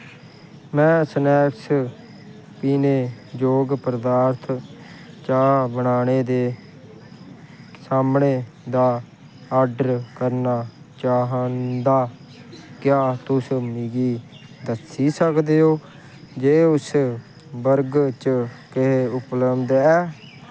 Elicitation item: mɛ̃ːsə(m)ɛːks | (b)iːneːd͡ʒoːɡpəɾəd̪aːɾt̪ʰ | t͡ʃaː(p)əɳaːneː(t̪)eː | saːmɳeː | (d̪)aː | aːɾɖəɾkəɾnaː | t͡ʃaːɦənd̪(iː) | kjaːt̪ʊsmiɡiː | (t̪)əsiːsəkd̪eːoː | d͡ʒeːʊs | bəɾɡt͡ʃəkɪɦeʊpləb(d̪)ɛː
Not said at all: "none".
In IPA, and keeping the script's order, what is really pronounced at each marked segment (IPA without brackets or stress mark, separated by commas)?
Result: n, p, b, d̪, d̪, aː, d̪, d̪